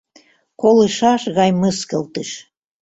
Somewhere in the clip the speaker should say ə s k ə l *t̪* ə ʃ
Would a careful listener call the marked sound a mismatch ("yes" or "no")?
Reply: no